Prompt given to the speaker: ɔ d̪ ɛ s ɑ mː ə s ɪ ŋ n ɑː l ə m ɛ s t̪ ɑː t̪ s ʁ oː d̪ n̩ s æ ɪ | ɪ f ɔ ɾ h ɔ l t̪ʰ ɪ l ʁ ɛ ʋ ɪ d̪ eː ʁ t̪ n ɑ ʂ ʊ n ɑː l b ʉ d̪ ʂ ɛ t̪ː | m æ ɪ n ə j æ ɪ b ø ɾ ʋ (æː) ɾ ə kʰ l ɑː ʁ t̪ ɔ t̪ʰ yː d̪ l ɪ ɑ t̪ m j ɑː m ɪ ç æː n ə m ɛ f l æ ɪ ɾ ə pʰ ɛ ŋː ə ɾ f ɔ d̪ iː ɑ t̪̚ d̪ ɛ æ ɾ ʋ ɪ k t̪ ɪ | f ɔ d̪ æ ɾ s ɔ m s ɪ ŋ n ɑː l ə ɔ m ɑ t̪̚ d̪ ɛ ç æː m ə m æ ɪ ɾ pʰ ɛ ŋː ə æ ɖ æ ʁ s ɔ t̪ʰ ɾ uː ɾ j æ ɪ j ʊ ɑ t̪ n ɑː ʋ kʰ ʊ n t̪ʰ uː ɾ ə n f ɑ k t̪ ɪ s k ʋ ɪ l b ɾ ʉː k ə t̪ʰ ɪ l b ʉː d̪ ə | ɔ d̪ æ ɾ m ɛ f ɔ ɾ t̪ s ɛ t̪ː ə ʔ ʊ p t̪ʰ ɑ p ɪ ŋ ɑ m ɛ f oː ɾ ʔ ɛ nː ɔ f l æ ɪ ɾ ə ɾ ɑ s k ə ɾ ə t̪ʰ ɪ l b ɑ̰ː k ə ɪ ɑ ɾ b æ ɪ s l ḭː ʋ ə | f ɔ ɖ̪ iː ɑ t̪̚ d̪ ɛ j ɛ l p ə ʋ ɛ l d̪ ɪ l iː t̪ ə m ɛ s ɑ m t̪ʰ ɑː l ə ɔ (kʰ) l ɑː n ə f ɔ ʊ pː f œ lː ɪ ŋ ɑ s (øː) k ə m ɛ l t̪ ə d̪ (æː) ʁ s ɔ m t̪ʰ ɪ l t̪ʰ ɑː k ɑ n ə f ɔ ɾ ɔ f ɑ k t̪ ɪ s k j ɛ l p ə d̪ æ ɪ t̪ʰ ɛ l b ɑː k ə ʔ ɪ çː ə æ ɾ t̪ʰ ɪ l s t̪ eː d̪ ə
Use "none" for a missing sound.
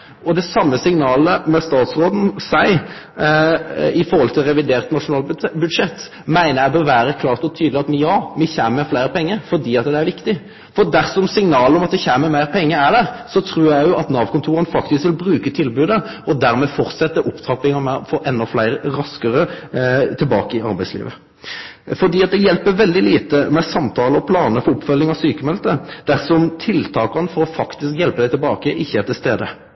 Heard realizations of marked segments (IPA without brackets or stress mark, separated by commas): æː, pʰ, yː, æ